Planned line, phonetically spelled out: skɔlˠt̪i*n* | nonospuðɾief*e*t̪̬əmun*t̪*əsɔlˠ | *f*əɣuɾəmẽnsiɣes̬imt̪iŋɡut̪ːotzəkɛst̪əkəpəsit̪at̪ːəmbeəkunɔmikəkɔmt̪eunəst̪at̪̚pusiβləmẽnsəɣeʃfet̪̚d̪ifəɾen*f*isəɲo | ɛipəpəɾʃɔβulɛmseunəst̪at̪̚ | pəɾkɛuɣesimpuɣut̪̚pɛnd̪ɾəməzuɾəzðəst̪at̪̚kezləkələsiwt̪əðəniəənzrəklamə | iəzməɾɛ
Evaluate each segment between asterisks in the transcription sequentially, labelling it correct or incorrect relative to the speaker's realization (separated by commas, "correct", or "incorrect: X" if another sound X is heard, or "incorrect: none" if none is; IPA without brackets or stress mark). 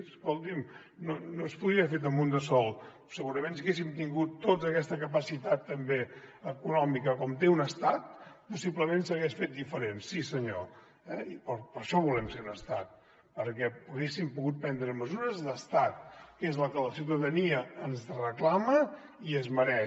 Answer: incorrect: m, correct, incorrect: d̪, incorrect: s, incorrect: s